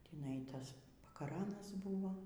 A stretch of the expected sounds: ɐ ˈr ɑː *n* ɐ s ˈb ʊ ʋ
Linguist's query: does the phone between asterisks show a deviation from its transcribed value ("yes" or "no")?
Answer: no